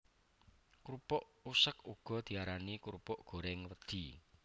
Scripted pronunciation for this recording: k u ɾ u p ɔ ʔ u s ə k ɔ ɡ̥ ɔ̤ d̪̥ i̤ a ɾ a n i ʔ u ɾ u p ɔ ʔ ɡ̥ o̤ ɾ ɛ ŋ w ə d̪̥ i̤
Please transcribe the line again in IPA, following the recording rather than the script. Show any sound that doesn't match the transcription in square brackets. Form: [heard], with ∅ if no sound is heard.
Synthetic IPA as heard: k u ɾ u p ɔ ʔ u s ə k [u] ɡ̥ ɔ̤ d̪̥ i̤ a ɾ a n i [k] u ɾ u p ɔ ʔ ɡ̥ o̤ ɾ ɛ ŋ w ə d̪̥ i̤